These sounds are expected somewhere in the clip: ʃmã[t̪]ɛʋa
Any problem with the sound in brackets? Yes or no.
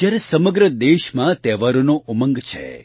no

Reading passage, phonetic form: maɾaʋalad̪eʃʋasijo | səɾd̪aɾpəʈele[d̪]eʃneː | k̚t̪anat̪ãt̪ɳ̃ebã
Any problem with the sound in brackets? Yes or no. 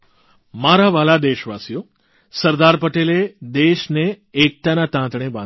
no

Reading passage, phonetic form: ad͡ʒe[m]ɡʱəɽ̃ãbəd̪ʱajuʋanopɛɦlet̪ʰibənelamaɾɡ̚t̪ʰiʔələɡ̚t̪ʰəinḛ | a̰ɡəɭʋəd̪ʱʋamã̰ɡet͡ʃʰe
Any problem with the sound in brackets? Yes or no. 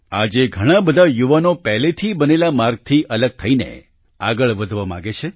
yes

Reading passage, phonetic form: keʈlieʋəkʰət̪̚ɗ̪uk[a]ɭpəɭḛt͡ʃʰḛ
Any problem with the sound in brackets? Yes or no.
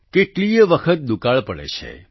no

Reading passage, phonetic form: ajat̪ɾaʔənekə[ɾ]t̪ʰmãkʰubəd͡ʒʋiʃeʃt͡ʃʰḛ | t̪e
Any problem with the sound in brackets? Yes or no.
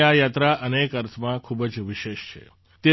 no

